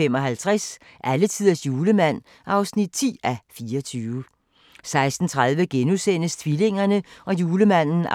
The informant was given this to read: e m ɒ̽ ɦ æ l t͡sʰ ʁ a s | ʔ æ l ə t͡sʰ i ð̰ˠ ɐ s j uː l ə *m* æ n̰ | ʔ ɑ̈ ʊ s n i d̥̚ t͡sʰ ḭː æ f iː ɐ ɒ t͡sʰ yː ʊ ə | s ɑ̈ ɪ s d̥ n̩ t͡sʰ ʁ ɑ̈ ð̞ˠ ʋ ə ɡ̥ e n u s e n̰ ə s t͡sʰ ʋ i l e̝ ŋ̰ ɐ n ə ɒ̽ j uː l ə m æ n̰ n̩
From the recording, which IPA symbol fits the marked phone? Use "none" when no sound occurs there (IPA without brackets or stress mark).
m